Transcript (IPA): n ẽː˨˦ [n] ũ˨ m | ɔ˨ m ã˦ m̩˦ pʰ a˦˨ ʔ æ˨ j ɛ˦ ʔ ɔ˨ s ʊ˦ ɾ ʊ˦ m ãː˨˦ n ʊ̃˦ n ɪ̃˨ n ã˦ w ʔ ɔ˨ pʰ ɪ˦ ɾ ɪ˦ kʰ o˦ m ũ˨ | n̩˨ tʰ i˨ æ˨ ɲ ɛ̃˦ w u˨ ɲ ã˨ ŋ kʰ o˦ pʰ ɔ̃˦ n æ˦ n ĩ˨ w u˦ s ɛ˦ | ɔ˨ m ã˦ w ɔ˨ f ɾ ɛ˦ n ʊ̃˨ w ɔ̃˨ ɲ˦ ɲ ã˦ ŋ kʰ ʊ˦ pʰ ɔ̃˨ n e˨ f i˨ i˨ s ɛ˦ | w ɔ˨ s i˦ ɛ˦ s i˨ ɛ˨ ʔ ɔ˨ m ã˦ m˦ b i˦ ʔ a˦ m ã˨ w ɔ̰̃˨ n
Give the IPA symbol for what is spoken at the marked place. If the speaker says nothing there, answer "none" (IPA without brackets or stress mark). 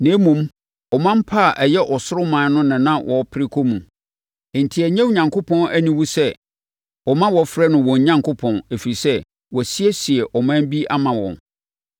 m